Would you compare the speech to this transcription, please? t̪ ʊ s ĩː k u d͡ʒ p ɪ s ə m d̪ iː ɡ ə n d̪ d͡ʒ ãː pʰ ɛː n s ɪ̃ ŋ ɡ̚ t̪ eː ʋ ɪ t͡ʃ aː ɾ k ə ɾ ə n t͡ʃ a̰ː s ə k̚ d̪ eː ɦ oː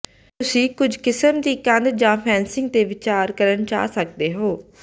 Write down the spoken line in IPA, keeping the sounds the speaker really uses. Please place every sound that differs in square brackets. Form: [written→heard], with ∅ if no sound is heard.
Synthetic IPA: t̪ ʊ s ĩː k [u→ʊ] d͡ʒ [p→k] ɪ s ə m d̪ iː [ɡ→k] ə n d̪ d͡ʒ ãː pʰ ɛː n s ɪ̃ ŋ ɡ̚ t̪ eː ʋ ɪ t͡ʃ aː ɾ k ə ɾ ə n t͡ʃ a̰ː s ə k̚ d̪ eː ɦ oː